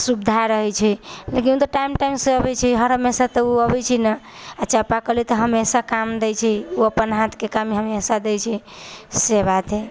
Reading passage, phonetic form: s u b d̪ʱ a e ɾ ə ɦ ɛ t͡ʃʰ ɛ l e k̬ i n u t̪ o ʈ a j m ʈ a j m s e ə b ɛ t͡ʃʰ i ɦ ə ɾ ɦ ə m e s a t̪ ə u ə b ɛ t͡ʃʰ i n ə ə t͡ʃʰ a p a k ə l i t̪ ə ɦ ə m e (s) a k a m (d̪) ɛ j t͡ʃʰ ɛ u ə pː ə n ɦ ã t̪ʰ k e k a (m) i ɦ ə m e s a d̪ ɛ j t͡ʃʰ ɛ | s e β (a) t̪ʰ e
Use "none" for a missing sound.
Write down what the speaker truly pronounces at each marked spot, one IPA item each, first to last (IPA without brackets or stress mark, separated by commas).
s, d̪, m, a